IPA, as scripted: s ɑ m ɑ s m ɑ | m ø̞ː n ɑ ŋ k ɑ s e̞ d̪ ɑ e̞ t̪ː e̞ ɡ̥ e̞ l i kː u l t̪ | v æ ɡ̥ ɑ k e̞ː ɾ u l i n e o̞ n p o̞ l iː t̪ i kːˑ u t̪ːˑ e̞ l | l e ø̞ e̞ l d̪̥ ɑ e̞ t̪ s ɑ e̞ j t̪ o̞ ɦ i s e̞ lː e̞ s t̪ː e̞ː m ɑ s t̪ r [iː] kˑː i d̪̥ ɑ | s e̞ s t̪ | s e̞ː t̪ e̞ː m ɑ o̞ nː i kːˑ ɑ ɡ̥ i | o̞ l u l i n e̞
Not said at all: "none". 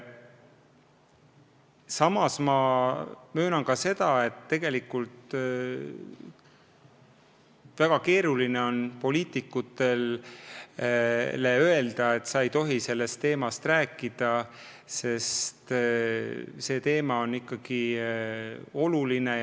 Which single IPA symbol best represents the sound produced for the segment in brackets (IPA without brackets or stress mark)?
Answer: æː